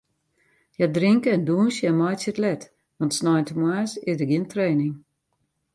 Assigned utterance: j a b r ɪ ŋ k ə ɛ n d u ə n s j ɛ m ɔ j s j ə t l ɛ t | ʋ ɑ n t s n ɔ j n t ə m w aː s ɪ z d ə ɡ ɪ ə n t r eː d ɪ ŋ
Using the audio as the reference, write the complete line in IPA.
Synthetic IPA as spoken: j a d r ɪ ŋ k ə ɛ n d u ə n s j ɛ m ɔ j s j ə t l ɛ t | ʋ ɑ n t s n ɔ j n t ə m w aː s ɪ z d ə ɡ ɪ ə n t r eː n ɪ ŋ